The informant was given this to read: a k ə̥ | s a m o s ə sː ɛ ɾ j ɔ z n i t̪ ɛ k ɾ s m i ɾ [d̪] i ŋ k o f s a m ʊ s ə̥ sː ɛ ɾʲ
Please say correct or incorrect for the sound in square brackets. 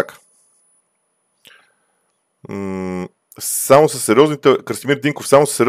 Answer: correct